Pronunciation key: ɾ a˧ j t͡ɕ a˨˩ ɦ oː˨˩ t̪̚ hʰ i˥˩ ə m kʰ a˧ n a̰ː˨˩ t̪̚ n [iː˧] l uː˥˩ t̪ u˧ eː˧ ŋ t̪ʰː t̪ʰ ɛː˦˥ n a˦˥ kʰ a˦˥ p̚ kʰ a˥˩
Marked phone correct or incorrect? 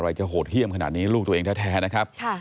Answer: incorrect